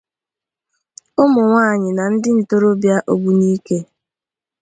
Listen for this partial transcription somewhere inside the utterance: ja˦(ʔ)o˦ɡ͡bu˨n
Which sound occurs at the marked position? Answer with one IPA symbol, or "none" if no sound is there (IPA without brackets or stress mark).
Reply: ʔ